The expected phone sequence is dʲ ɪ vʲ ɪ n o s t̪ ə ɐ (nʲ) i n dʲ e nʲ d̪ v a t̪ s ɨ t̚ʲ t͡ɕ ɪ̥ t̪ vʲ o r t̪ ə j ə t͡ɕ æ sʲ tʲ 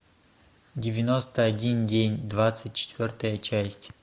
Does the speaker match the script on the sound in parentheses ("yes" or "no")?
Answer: no